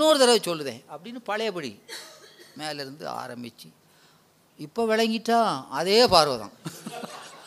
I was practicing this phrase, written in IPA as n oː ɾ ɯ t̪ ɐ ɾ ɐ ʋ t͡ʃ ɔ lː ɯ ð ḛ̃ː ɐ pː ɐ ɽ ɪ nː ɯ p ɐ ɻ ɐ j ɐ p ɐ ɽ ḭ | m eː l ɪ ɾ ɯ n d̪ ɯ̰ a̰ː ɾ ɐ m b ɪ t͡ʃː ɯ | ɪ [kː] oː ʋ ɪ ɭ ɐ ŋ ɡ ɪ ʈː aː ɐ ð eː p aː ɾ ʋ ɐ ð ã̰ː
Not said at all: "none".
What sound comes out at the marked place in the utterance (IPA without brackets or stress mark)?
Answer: pː